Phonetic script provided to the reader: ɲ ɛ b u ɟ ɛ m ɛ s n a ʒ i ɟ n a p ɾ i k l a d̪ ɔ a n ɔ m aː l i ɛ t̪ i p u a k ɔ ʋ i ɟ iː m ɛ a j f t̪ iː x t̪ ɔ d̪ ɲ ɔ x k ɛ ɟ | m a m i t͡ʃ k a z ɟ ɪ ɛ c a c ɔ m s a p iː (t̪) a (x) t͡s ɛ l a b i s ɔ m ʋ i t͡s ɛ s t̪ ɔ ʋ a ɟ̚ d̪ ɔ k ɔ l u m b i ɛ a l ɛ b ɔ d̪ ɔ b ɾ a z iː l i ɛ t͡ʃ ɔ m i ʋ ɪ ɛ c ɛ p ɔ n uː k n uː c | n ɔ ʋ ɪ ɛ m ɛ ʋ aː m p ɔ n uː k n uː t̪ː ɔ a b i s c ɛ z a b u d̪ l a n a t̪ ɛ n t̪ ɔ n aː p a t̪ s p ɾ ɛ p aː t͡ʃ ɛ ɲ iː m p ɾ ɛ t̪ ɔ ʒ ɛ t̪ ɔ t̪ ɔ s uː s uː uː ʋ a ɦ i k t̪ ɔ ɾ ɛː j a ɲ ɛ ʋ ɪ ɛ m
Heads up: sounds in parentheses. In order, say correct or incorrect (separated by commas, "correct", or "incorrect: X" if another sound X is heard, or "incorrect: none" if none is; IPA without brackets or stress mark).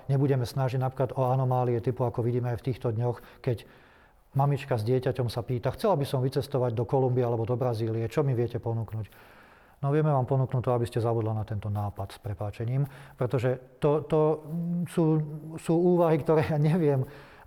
correct, correct